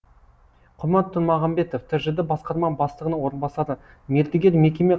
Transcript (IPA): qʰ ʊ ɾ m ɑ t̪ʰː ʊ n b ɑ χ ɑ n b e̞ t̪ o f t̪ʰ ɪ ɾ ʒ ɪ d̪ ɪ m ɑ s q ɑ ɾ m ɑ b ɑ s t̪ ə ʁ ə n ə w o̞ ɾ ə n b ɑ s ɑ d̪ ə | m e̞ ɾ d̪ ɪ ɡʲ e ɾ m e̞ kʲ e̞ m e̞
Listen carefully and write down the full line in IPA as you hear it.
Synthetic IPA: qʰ ʊ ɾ m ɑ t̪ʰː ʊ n m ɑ ʁ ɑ m b e̞ t̪ o f t̪ʰ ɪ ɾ ʒ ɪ d̪ ɪ b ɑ s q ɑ ɾ m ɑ b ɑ s t̪ ə ʁ ə n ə w o̞ ɾ ə n b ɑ s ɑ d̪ ə | m e̞ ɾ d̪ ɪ ɡʲ e ɾ m e̞ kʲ e̞ m e̞